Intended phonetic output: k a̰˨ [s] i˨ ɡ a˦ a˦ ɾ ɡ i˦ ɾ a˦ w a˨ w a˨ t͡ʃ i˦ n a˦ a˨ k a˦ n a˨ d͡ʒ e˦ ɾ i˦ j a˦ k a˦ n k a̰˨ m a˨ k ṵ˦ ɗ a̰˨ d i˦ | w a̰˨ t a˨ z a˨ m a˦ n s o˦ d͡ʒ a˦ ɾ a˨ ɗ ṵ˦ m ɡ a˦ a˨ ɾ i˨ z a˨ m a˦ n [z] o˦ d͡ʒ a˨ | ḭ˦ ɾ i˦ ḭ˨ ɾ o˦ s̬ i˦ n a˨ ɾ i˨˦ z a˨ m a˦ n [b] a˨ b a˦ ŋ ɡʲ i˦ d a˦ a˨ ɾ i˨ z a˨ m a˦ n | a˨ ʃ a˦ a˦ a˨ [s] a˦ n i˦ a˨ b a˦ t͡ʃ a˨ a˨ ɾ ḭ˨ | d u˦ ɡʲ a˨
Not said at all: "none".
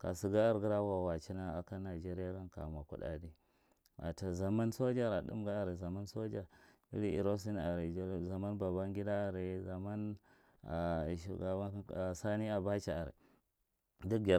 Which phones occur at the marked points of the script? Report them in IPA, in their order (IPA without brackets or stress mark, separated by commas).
s, s, b, s